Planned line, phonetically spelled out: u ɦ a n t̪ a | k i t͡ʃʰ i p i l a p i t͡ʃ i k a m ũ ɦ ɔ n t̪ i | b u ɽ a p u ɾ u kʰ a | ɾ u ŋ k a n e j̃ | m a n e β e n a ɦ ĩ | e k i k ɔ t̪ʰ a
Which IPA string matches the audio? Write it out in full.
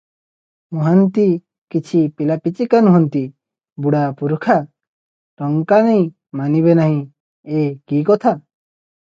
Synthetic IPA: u ɦ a n t̪ i | k i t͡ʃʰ i p i l a p i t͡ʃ i k a n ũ ɦ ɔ n t̪ i | b u ɽ a p u ɾ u kʰ a | ɾ ɔ ŋ k a n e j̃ | m a n i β e n a ɦ ĩ | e k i k ɔ t̪ʰ a